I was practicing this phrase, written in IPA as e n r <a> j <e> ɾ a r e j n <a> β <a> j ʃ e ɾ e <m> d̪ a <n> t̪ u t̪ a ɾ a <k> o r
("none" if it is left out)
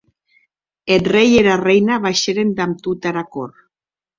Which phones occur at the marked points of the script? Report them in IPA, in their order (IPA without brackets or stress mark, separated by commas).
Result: e, e, a, a, n, m, k